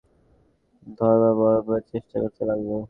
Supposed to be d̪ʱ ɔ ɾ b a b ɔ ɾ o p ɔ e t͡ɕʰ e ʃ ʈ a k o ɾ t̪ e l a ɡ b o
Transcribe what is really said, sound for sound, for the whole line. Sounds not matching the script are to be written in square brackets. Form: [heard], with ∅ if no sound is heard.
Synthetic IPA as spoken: d̪ʱ ɔ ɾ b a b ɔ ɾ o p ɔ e [t͡ɕ] e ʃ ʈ a k o ɾ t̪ e l a ɡ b o